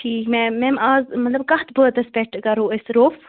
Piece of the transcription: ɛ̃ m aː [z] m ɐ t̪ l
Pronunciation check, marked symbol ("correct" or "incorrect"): correct